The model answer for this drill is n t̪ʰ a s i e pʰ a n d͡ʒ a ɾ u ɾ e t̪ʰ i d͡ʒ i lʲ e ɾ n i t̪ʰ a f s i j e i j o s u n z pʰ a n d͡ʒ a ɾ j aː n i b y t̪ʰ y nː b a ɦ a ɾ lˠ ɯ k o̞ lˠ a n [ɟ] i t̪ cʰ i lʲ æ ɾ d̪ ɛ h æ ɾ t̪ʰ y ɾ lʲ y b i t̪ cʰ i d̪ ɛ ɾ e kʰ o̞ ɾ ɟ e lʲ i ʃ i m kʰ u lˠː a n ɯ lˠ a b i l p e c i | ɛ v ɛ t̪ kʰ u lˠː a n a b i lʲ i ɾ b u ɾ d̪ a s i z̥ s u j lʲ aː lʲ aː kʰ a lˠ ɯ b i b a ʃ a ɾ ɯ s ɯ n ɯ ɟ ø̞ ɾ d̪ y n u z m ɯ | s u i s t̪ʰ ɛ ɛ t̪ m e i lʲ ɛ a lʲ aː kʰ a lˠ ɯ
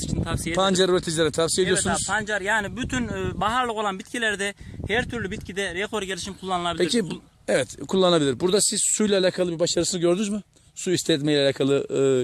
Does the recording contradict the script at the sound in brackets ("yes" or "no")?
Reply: yes